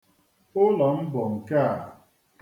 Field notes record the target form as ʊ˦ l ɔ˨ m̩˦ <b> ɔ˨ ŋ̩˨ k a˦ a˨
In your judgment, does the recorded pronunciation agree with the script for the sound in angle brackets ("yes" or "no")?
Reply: yes